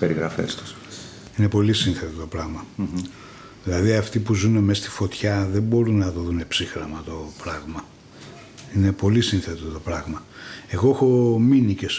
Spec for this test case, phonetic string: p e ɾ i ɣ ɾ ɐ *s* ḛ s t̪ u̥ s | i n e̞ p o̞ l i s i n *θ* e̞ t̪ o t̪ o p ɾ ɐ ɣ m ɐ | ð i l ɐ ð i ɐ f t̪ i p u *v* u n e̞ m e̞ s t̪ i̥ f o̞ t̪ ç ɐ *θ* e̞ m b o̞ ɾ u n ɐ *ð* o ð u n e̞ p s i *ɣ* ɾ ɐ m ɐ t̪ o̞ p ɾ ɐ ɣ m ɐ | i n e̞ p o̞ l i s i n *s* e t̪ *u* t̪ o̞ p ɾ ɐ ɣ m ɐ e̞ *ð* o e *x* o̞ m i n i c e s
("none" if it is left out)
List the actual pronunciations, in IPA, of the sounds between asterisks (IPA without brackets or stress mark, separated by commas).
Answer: f, θ, z, ð, ð, x, θ, o, ɣ, x